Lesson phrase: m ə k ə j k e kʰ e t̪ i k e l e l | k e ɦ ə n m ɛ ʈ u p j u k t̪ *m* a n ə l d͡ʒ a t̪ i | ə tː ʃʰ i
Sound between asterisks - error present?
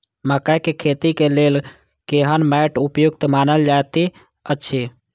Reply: no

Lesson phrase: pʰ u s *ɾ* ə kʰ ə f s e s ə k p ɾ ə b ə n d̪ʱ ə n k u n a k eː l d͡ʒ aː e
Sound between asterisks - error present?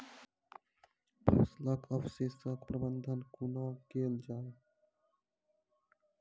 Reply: yes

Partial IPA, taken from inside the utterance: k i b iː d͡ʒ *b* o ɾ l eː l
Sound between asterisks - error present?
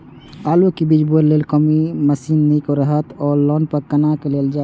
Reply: no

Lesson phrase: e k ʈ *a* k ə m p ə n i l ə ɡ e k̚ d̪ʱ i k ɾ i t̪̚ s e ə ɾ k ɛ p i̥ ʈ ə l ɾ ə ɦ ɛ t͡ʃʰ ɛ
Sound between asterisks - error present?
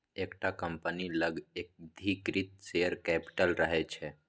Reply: no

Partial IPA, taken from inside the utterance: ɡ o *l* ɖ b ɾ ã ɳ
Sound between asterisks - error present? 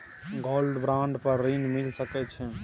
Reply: no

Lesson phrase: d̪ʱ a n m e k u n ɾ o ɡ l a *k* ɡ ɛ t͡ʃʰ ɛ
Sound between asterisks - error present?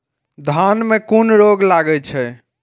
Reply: yes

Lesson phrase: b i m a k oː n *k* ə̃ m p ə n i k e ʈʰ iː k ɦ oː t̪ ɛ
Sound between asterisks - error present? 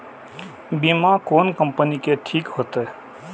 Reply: no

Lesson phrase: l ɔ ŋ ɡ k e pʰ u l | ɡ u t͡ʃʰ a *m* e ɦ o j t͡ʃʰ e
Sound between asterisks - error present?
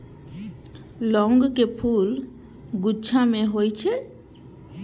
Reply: no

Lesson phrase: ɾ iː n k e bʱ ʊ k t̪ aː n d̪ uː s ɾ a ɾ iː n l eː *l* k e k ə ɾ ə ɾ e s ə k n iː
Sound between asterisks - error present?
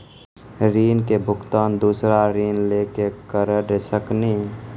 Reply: yes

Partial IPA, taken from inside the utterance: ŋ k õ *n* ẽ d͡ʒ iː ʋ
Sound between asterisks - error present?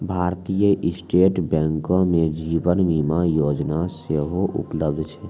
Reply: yes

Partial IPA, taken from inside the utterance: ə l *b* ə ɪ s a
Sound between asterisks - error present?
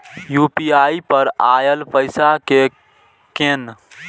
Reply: yes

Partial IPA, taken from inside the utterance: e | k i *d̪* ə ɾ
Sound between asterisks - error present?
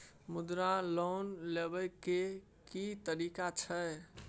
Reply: yes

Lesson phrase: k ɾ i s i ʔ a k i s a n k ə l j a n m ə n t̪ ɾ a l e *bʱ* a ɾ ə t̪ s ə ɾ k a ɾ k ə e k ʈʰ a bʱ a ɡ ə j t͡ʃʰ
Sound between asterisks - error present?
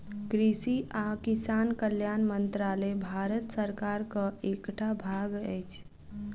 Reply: no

